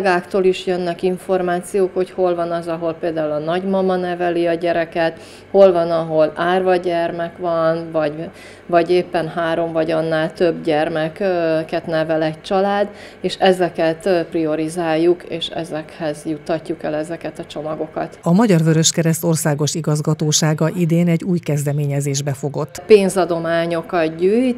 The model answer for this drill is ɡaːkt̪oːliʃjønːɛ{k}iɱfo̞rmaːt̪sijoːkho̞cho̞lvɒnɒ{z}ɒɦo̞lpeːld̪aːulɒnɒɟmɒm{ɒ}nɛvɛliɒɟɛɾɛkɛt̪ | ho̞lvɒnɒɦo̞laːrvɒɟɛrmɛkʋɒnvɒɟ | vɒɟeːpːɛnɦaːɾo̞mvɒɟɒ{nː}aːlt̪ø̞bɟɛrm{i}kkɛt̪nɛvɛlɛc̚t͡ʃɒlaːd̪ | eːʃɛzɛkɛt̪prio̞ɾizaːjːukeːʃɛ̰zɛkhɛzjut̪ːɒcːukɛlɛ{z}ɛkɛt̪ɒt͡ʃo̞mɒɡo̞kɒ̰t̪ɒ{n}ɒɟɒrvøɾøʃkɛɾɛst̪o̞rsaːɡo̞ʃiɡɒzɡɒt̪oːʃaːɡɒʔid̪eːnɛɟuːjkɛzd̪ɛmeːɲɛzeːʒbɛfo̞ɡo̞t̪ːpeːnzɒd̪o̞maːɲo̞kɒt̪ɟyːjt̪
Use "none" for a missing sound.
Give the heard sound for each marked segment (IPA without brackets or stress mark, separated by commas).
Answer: k, z, ɒ, nː, ɛ, z, m